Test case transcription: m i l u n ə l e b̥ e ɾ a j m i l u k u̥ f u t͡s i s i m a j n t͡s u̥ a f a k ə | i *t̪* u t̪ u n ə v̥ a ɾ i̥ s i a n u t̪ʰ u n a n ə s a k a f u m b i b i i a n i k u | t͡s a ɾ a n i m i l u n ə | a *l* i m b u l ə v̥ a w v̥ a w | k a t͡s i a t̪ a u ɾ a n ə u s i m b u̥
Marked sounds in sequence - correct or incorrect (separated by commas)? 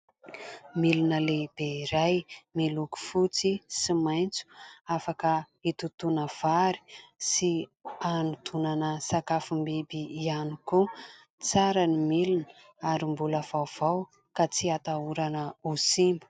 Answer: correct, incorrect